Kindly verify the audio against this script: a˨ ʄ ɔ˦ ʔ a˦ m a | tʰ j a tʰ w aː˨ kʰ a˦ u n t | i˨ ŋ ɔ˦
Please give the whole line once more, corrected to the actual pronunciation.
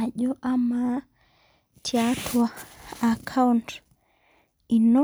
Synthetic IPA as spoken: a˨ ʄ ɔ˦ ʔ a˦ m a | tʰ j a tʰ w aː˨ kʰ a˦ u n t | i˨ n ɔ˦